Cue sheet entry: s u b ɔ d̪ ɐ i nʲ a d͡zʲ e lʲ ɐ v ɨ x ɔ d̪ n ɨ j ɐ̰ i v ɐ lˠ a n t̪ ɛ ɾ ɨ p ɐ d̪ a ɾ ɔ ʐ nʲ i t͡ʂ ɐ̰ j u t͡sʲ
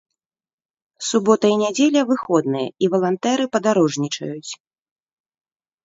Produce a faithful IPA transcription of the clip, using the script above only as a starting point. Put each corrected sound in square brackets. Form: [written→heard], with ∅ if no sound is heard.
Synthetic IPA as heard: s u b ɔ [d̪→t̪] ɐ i nʲ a d͡zʲ e lʲ ɐ v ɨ x ɔ d̪ n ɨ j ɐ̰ i v ɐ lˠ a n t̪ ɛ ɾ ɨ p ɐ d̪ a ɾ ɔ ʐ nʲ i t͡ʂ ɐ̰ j u t͡sʲ